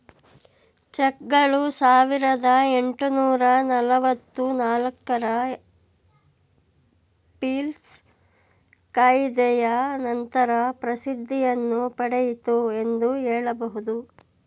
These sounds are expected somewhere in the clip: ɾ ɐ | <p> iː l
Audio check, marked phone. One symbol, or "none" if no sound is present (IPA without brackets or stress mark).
p